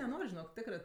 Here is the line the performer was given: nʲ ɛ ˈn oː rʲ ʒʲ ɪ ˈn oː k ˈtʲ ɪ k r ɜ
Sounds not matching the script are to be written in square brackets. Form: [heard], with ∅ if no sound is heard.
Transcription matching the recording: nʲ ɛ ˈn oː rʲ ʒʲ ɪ ˈn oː k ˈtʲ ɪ k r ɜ